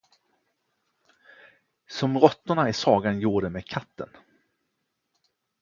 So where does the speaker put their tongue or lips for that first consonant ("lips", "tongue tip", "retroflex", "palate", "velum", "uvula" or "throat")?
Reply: tongue tip